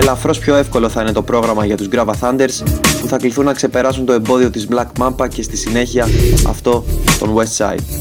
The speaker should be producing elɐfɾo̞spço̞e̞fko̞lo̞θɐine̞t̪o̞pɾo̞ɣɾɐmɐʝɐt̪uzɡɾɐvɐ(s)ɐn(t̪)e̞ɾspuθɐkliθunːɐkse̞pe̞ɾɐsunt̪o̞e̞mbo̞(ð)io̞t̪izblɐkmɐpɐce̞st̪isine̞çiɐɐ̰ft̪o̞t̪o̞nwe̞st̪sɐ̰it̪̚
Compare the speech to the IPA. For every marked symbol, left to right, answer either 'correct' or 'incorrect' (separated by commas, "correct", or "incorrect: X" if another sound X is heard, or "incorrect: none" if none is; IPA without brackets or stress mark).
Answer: incorrect: θ, incorrect: d̪, correct